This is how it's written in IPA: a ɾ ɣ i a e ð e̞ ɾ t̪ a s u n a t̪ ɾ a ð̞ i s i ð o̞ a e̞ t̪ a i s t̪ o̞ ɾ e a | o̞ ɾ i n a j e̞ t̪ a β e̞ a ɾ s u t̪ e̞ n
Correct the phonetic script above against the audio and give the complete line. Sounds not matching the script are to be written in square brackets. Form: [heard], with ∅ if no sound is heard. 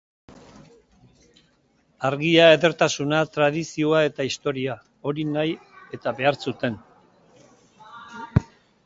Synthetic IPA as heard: a ɾ ɣ i a e ð e̞ ɾ t̪ a s u n a t̪ ɾ a ð̞ i s i [∅] o̞ a e̞ t̪ a i s t̪ o̞ ɾ [i] a | o̞ ɾ i n a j e̞ t̪ a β e̞ a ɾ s u t̪ e̞ n